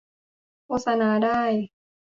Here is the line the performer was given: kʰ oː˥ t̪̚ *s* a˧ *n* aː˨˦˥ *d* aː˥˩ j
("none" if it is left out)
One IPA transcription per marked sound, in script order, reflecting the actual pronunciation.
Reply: s, n, d

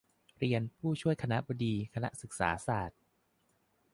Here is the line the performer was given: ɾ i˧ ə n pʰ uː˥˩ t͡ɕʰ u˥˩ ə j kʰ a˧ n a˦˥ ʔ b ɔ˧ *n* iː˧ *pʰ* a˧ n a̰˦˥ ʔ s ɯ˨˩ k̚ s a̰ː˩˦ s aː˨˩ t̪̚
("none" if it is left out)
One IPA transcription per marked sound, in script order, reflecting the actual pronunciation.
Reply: d, kʰ

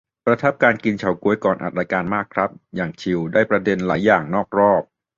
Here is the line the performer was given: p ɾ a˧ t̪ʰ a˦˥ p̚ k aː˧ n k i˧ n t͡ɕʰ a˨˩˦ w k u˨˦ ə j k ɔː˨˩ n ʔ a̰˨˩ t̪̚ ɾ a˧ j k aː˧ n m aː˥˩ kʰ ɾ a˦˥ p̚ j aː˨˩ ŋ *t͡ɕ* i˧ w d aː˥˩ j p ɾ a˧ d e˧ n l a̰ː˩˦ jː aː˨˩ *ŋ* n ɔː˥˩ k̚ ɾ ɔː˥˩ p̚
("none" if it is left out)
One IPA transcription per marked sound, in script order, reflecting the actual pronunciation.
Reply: t͡ɕʰ, ŋ

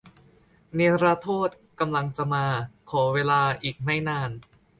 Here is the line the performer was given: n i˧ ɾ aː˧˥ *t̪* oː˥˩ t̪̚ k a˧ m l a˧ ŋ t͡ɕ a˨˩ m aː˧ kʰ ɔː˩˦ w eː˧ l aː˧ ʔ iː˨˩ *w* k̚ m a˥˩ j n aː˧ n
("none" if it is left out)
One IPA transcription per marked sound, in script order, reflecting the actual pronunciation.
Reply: t̪ʰ, none

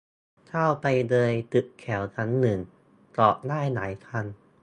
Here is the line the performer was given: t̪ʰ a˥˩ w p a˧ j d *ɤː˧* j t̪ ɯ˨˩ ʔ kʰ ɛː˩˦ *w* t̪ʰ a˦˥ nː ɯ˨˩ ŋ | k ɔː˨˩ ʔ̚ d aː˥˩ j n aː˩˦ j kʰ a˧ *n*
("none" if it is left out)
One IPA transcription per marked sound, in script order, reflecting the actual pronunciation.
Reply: ɤː˧, w, n

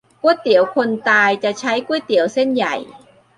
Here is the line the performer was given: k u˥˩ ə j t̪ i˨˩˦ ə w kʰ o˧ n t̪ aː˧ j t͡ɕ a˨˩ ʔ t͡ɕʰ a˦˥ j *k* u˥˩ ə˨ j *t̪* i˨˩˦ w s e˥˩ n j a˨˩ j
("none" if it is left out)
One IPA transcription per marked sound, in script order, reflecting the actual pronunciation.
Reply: k, t̪

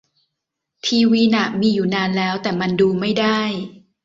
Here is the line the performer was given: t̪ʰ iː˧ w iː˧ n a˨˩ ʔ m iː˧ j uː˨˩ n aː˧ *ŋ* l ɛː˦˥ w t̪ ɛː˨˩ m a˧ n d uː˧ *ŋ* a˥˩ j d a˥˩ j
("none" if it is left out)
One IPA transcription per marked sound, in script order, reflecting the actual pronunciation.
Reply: n, m

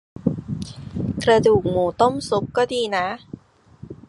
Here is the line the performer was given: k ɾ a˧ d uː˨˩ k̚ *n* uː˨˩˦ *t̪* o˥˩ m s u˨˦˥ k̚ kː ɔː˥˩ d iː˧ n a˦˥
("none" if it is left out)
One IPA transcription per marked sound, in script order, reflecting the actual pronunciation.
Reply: m, t̪

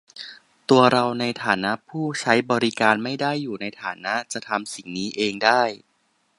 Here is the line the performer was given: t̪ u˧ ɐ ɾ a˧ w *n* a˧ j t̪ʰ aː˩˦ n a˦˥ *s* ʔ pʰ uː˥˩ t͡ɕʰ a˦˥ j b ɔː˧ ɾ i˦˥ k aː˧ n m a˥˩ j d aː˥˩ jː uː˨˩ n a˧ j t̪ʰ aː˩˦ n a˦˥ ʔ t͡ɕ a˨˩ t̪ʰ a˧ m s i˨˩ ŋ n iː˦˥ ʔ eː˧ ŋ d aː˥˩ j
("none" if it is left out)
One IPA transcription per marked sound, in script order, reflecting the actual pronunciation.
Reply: n, none

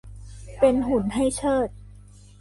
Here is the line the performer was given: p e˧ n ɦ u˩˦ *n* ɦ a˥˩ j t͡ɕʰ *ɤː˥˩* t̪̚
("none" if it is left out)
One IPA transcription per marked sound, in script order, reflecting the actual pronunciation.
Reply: n, ɤː˥˩

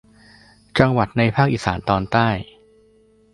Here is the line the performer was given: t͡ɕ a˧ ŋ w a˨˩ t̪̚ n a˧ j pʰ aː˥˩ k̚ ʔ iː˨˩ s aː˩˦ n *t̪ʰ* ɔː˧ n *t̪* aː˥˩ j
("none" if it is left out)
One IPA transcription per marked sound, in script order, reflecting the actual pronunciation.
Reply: t̪, t̪

